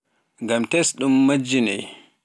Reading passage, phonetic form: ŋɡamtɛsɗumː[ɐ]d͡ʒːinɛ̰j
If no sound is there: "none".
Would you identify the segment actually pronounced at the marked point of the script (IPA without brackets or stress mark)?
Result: a